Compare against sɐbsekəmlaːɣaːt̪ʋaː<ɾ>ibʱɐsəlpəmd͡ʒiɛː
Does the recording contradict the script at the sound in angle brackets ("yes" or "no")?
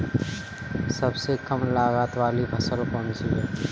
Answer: yes